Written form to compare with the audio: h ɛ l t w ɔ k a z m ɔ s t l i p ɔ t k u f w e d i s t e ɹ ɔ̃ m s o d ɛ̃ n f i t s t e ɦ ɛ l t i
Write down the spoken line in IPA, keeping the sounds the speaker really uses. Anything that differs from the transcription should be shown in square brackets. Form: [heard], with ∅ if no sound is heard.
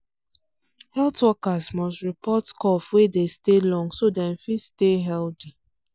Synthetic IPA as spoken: h ɛ l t w ɔ k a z m ɔ s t [ɹ] i p ɔ t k [ɔ] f w e d [e] s t e [l] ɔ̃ [ŋ] s o d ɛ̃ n f i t s t e ɦ ɛ l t i